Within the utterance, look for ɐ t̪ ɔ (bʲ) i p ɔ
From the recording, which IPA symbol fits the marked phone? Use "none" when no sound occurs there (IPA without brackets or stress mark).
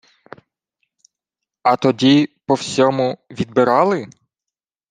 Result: dʲ